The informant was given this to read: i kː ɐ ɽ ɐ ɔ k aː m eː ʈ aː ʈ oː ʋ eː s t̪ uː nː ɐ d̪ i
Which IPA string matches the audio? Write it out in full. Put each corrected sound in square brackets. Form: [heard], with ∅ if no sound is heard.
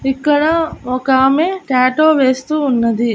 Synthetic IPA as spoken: i kː ɐ ɽ ɐ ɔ k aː m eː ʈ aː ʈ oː ʋ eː s t̪ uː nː ɐ d̪ i